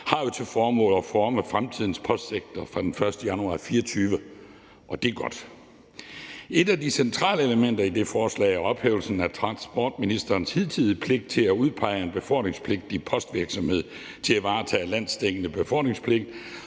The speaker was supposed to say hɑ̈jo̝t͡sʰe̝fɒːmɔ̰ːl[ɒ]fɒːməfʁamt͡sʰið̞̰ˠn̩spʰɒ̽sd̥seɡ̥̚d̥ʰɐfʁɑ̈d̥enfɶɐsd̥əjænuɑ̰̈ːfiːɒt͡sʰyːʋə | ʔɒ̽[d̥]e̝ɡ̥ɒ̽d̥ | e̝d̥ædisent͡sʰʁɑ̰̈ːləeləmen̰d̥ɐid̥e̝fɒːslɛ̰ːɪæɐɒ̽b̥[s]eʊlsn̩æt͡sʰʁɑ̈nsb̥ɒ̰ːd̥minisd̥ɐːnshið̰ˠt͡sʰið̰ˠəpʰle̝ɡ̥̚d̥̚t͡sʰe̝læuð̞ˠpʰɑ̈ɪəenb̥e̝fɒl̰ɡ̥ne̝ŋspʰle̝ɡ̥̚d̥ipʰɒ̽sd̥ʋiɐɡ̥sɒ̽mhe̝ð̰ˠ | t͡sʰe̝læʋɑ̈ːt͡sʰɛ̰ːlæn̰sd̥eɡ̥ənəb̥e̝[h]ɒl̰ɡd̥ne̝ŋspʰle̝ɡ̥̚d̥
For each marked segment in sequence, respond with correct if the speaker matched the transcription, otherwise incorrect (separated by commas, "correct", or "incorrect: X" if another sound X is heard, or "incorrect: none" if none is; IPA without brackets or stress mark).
correct, correct, incorrect: h, incorrect: f